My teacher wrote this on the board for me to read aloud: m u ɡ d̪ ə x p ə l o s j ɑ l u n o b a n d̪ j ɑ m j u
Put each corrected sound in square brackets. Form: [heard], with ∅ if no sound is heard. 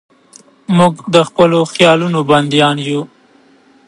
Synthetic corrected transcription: m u ɡ d̪ ə x p ə l o [x] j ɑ l u n o b a n d̪ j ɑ [n] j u